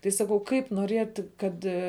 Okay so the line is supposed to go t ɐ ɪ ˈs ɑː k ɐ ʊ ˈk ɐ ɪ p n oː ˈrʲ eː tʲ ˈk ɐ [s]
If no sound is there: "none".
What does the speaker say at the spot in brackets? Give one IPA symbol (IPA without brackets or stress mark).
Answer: t